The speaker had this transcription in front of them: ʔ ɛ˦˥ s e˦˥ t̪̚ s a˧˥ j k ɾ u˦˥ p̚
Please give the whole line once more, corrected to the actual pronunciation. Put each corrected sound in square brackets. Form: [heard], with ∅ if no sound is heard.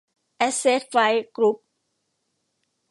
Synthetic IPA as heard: ʔ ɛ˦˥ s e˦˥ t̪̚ [f] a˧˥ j k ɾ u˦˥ p̚